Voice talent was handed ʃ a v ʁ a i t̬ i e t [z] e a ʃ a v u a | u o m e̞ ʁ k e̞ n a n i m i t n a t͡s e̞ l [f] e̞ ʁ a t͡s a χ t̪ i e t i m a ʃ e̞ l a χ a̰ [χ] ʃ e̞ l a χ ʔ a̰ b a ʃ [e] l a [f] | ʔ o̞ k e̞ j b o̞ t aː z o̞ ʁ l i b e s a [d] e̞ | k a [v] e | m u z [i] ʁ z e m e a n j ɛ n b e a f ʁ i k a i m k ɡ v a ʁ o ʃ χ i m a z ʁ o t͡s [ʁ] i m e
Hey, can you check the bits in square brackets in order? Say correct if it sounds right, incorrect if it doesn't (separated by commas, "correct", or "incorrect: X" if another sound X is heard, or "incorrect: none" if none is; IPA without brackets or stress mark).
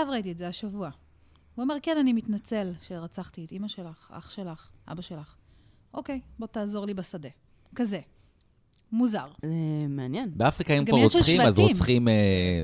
correct, incorrect: ʃ, correct, correct, incorrect: χ, correct, incorrect: z, incorrect: a, incorrect: χ